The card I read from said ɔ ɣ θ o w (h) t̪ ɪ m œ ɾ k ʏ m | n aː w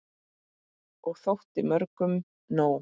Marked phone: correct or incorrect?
correct